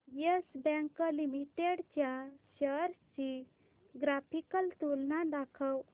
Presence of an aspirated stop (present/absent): present